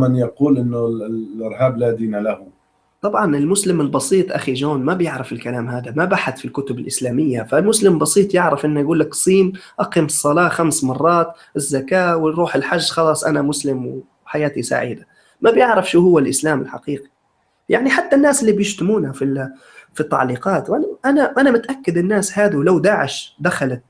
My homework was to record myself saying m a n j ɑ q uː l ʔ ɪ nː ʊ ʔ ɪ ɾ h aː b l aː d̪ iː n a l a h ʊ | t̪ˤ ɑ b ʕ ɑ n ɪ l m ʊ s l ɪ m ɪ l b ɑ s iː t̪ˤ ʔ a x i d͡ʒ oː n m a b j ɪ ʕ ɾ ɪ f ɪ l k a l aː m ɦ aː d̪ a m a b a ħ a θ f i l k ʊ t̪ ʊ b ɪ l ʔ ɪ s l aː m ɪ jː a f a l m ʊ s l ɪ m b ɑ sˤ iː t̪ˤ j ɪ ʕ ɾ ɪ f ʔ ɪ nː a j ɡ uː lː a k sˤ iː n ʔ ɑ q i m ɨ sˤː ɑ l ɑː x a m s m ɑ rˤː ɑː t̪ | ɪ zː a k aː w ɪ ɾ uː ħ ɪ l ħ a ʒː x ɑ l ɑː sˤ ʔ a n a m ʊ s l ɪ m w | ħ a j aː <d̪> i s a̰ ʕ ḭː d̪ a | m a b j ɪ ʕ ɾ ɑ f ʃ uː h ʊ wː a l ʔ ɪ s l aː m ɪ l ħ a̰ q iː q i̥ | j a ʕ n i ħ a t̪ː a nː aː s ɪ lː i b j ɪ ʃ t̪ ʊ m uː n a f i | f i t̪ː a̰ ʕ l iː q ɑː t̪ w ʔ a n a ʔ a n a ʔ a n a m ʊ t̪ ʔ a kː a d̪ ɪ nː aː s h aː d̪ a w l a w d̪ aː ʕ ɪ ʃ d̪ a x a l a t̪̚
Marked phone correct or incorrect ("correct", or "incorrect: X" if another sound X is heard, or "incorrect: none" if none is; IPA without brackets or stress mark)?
incorrect: t̪